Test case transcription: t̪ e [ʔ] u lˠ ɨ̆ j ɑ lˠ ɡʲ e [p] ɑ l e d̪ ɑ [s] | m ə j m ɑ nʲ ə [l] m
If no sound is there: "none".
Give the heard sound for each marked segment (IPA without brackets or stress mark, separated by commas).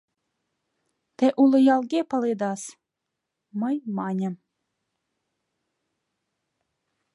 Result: ʔ, p, s, none